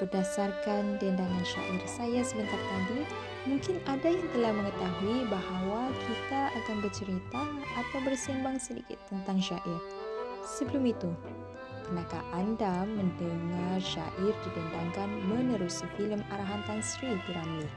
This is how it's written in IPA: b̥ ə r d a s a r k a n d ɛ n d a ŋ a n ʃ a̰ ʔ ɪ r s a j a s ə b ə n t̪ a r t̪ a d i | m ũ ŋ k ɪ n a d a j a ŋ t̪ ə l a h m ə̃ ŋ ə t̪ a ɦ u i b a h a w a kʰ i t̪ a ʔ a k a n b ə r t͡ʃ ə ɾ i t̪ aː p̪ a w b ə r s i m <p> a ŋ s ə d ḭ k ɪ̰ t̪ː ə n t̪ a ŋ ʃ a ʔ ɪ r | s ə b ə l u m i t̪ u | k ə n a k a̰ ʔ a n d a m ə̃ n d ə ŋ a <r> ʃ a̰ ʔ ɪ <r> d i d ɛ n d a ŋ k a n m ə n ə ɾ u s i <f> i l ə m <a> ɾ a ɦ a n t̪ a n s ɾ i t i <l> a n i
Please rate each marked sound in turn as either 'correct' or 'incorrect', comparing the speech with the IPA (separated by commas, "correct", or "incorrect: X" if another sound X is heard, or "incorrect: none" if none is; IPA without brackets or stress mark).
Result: incorrect: b, correct, correct, correct, correct, incorrect: ɾ